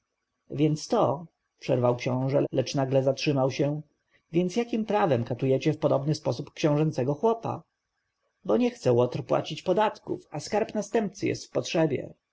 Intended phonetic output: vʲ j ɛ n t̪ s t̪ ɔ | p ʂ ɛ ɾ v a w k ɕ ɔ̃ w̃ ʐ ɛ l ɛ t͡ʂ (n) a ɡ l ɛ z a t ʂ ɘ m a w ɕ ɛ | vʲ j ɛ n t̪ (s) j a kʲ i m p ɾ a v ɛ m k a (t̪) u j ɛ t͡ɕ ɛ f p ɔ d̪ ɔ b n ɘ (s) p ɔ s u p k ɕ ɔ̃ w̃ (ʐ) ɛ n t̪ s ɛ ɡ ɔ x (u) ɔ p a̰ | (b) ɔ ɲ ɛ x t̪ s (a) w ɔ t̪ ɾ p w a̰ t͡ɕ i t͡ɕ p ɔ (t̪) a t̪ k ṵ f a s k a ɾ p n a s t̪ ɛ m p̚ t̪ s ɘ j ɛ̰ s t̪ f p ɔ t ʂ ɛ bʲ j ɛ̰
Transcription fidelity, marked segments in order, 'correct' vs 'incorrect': correct, correct, correct, correct, correct, incorrect, correct, incorrect, incorrect

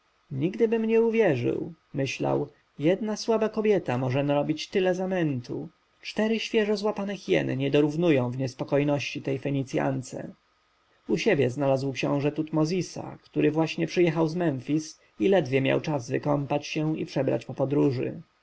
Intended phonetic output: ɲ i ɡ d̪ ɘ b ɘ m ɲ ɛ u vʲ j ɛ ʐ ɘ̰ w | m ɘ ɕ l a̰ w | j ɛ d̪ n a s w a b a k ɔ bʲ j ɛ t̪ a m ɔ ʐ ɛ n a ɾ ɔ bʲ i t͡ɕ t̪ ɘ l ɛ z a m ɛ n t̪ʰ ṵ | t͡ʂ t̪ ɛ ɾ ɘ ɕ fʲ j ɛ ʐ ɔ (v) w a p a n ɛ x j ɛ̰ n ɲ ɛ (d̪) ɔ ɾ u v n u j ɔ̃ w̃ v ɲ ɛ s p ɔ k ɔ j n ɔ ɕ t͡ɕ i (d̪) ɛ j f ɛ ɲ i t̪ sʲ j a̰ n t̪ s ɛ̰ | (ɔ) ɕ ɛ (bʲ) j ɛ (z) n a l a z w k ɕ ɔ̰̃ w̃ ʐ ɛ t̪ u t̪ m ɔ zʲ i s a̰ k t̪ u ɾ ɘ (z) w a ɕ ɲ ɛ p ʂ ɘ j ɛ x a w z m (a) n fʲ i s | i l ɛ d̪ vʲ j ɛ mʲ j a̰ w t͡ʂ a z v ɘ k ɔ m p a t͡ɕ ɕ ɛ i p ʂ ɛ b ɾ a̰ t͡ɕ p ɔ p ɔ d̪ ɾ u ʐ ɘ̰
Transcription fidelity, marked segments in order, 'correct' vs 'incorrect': incorrect, correct, incorrect, incorrect, correct, correct, incorrect, incorrect

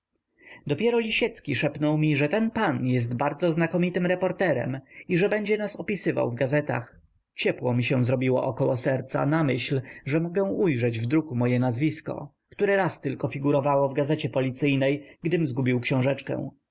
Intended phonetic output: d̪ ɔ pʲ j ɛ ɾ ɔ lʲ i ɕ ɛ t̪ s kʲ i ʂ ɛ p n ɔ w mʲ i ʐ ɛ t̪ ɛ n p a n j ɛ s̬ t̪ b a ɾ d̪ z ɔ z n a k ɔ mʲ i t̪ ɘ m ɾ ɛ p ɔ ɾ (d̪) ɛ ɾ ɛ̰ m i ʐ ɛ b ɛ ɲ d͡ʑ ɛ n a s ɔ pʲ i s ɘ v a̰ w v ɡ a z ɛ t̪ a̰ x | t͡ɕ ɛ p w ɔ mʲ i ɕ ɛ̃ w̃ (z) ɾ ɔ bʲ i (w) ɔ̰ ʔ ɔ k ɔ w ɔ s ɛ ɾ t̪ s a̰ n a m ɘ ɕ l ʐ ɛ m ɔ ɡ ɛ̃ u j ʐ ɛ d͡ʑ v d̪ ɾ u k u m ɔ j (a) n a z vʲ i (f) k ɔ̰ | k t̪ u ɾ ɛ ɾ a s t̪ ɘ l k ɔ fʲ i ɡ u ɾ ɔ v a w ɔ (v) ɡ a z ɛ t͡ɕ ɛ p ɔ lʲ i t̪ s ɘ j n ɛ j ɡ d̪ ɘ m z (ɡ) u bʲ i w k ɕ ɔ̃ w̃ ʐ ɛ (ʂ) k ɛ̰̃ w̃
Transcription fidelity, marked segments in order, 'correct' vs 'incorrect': incorrect, correct, correct, incorrect, incorrect, correct, correct, incorrect

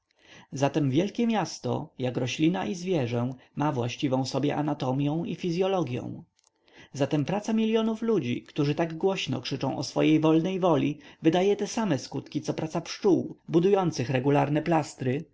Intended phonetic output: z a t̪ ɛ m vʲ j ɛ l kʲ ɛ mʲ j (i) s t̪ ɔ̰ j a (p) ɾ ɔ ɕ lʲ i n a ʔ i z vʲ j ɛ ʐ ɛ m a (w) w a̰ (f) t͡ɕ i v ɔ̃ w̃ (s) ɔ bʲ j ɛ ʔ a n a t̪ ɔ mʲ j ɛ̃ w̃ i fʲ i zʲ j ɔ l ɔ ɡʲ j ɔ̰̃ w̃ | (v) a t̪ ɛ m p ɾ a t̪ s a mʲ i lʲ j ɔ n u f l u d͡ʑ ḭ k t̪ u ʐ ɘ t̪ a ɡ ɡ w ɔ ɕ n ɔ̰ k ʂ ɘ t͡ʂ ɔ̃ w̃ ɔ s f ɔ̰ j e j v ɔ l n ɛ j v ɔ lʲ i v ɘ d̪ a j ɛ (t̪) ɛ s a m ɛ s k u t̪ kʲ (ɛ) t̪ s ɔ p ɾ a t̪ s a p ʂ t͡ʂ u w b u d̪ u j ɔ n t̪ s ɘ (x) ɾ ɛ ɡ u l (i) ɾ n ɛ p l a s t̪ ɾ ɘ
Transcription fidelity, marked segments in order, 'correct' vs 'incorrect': incorrect, incorrect, incorrect, incorrect, correct, incorrect, correct, incorrect, correct, incorrect

